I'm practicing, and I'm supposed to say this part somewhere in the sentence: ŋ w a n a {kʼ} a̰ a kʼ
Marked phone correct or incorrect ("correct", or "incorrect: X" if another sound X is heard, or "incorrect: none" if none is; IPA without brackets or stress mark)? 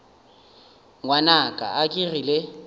correct